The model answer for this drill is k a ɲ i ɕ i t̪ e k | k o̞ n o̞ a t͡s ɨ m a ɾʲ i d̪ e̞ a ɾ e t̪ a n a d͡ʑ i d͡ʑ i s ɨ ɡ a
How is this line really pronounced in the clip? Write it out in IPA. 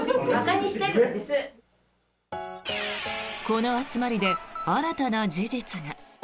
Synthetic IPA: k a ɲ i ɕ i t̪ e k | k o̞ n o̞ a t͡s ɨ m a ɾʲ i d̪ e̞ a ɾ a t̪ a n a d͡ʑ i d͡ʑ i t͡s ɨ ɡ a

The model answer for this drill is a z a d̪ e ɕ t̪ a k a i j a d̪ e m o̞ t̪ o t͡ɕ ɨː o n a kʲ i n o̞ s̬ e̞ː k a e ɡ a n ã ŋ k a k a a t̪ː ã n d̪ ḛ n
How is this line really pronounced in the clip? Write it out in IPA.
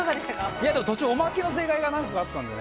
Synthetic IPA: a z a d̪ e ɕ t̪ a k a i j a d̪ e m o̞ t̪ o t͡ɕ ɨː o m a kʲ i n o̞ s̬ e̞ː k a i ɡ a n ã ŋ k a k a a t̪ː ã n d̪ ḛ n

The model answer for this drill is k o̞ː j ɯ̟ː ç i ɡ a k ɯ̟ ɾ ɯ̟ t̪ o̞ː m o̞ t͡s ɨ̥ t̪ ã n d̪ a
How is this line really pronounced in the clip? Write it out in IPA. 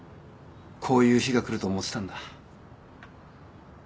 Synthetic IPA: kʰ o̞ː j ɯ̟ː ç i ɡ a k ɯ̟ ɾ ɯ̟ t̪ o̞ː m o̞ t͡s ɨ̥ t̪ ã n d̪ a

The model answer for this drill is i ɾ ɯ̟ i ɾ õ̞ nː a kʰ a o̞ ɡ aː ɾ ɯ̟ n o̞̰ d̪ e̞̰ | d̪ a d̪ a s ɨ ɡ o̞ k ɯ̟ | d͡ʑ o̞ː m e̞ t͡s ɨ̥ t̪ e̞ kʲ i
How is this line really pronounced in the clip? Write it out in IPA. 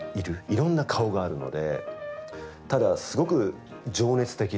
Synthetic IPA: i ɾ ɯ̟ i ɾ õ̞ nː a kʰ a o̞ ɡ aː ɾ ɯ̟ n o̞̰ d̪ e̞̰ | t̪ a d̪ a s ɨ ɡ o̞ k ɯ̟ | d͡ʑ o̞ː n e̞ t͡s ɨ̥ t̪ e̞ kʲ i

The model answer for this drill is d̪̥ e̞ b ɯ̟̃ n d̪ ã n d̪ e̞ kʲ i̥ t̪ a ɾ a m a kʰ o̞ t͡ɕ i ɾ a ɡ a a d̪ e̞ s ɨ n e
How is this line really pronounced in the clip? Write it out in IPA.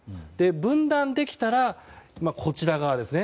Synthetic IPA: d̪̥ e̞ b ɯ̟̃ n d̪ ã n d̪ e̞ kʲ i̥ t̪ a ɾ a m a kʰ o̞ t͡ɕ i ɾ a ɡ a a d̪ e̞ s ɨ n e

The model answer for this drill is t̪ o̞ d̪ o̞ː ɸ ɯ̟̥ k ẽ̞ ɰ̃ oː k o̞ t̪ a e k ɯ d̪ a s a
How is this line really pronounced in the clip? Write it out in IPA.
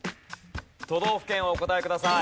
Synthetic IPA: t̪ o̞ d̪ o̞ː ɸ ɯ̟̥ k ẽ̞ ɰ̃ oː k o̞ t̪ a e k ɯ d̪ a s a

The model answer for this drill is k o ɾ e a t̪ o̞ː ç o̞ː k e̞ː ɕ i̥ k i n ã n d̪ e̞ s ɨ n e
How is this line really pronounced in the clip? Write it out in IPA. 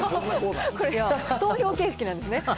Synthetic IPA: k o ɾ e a t̪ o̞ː ç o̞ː k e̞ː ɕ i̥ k i n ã n d̪ e̞ s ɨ n e

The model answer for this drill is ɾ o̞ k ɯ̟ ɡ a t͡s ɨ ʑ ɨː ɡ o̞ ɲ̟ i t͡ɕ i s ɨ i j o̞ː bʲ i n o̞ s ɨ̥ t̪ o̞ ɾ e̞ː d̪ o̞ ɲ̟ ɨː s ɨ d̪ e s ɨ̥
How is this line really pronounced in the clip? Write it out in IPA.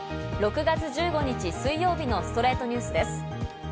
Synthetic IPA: ɾ o̞ k ɯ̟ ɡ a t͡s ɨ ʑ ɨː ɡ o̞ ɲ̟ i t͡ɕ i s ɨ i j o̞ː bʲ i n o̞ s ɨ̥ t̪ o̞ ɾ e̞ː t̪ o̞ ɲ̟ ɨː s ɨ d̪ e s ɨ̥

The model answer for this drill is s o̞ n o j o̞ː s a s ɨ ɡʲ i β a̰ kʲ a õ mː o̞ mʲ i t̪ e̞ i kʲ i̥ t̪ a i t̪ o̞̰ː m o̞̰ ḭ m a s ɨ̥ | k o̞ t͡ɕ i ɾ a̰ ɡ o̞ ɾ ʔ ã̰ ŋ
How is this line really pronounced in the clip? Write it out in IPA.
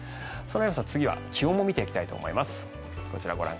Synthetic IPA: s o̞ n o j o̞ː s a t͡s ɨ ɡʲ i β a̰ kʲ i õ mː o̞ mʲ i t̪ e̞ i kʲ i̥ t̪ a i t̪ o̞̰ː m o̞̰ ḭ m a s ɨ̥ | k o̞ t͡ɕ i ɾ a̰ ɡ o̞ ɾ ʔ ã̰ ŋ

